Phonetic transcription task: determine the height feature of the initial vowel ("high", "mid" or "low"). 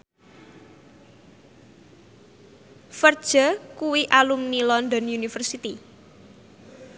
mid